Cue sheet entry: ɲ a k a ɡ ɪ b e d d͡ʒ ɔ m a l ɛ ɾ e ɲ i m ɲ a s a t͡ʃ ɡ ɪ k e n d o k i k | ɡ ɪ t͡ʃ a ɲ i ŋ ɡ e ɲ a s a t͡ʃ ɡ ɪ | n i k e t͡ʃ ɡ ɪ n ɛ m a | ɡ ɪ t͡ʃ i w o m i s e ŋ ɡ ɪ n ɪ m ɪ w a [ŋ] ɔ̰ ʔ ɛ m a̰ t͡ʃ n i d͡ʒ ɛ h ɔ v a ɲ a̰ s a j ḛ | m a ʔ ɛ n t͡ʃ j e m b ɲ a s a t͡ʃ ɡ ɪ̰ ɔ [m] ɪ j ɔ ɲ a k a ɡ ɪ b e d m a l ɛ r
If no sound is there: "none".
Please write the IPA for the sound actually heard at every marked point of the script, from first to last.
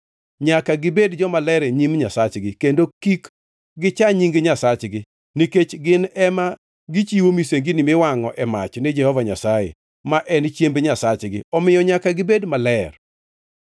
ŋ, m

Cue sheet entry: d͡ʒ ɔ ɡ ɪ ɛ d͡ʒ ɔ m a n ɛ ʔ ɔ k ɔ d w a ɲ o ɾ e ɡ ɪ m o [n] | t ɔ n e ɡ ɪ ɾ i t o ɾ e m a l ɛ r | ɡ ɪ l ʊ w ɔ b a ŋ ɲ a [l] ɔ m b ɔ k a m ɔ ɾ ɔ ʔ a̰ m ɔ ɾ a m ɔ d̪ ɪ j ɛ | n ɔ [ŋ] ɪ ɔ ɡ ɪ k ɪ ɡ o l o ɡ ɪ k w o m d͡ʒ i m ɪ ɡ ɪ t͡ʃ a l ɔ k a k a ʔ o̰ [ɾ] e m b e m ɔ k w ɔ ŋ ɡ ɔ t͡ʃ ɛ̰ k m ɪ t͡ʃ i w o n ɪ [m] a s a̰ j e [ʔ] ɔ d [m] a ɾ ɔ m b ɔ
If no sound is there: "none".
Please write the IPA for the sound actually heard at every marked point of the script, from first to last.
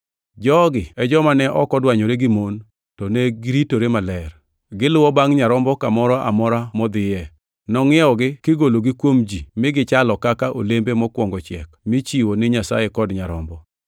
n, ɾ, ŋ, l, ɲ, k, ɲ

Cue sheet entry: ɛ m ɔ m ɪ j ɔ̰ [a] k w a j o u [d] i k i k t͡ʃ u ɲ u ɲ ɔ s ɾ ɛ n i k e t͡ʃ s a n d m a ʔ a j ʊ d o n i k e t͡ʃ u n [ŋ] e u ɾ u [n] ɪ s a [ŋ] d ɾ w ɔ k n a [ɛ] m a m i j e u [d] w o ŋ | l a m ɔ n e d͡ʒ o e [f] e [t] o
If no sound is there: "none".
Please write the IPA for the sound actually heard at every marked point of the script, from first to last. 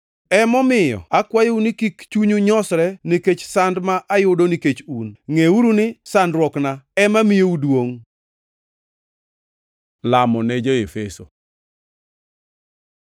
a, n, ŋ, n, n, ɛ, d, f, s

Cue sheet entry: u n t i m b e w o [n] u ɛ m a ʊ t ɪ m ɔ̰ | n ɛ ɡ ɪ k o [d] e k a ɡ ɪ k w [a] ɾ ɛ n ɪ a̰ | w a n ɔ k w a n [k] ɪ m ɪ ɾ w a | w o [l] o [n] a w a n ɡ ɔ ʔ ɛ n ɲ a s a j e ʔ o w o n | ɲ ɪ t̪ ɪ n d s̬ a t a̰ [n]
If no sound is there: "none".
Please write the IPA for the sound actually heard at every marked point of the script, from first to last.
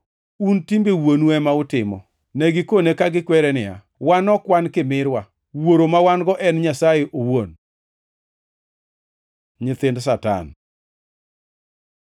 n, n, ɛ, k, ɾ, m, n

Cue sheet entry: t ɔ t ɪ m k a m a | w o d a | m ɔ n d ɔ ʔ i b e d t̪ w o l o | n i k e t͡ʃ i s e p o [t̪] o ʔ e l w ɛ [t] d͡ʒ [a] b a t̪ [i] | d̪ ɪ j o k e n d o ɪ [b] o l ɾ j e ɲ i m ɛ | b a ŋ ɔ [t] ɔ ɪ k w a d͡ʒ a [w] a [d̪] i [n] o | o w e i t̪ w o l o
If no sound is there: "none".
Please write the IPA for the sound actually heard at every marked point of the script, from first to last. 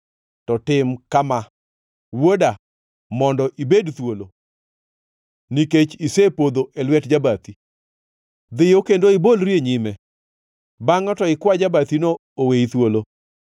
d̪, t, a, i, b, t, b, t̪, n

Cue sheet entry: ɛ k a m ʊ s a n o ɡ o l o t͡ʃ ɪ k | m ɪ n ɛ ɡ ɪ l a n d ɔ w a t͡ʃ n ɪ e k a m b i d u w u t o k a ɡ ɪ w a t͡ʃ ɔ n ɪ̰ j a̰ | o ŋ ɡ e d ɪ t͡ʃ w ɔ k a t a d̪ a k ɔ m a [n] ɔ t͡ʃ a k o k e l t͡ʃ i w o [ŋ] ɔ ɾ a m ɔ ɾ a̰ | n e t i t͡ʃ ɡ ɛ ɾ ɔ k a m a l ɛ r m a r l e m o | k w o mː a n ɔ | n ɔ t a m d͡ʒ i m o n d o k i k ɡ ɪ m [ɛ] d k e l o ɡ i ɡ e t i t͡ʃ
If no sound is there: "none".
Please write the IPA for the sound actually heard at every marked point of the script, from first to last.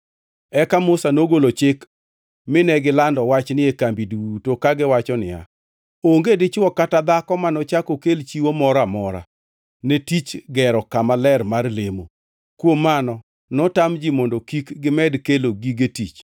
n, m, ɛ

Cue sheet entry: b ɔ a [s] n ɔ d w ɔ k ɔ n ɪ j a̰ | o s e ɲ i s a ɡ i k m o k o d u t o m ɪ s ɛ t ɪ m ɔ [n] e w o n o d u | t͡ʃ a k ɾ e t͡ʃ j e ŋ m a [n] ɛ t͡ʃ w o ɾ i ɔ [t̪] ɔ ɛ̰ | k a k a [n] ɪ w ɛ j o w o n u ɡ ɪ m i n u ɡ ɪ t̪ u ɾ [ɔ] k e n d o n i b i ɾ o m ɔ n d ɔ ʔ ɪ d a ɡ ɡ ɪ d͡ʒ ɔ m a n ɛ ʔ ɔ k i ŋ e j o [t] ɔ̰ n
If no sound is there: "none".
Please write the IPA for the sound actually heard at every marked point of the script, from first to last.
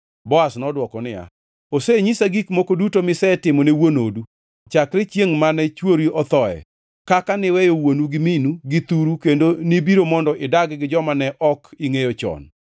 s, n, n, t̪, n, u, t͡ʃ

